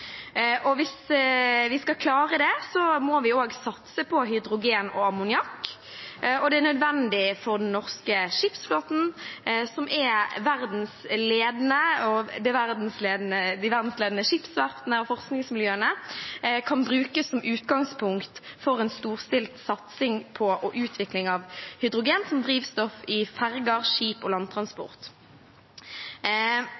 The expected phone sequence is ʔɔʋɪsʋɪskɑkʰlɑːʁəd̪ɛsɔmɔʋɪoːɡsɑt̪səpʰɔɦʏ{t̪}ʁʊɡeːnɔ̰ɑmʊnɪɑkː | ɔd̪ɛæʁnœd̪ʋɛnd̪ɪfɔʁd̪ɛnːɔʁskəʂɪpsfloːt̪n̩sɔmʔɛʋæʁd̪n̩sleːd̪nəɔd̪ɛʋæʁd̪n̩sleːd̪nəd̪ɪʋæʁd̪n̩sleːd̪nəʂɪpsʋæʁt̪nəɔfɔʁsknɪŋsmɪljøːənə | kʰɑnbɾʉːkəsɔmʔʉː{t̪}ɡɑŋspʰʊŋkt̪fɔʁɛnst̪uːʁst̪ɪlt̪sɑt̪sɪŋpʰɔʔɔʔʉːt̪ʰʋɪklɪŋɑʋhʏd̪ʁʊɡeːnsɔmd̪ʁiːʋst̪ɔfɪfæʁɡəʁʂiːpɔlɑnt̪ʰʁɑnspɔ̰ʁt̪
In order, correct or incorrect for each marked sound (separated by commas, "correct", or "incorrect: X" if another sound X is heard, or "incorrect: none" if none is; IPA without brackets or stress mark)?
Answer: incorrect: d̪, correct